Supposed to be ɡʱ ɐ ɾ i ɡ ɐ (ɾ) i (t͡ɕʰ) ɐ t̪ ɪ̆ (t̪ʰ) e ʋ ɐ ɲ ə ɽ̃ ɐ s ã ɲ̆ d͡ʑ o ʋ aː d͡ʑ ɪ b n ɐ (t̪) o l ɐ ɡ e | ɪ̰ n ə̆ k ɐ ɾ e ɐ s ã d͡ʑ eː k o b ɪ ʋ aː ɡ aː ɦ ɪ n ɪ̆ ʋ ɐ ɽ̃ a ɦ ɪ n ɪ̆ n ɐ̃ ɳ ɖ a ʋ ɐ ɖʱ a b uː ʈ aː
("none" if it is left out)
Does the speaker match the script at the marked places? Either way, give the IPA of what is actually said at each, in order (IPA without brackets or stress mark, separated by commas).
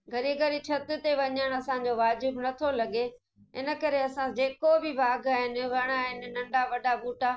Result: ɾ, t͡ɕʰ, t̪, t̪ʰ